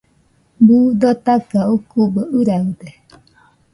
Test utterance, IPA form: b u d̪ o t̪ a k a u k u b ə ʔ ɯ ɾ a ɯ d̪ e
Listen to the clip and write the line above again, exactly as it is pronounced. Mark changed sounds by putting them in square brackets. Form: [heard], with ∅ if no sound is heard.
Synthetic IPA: b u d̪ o t̪ a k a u k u b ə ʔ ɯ ɾ a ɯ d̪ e